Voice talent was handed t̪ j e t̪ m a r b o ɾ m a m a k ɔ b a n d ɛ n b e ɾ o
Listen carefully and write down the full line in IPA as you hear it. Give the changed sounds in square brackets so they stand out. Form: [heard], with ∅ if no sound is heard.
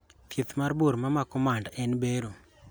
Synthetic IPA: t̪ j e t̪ m a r b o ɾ m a m a k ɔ [m] a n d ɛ n b e ɾ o